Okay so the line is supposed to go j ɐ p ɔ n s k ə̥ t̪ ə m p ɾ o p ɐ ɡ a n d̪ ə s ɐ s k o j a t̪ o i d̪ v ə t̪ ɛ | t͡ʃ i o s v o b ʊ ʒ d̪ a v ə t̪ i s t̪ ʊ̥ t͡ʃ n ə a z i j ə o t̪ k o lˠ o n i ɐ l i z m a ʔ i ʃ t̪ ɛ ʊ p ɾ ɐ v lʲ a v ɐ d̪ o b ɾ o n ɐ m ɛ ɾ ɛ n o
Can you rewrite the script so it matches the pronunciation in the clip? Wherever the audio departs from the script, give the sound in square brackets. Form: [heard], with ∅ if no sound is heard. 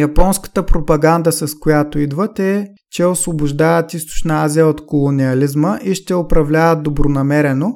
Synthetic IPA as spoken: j ɐ p ɔ n s k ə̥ t̪ ə [∅] p ɾ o p ɐ ɡ a n d̪ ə s ɐ s k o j a t̪ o i d̪ v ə t̪ ɛ | t͡ʃ [ɛ] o s v o b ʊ ʒ d̪ a v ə t̪ i s t̪ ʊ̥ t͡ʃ n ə a z i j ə o t̪ k o lˠ o n i ɐ l i z m [ə] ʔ i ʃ t̪ ɛ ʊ p ɾ ɐ v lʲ a v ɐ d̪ o b ɾ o n ɐ m ɛ ɾ ɛ n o